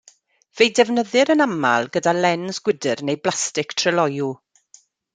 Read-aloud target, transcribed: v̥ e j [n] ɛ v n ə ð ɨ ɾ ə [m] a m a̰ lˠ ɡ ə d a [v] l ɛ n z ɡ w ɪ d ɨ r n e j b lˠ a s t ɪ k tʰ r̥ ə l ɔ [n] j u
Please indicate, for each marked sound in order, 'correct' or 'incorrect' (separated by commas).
incorrect, incorrect, incorrect, incorrect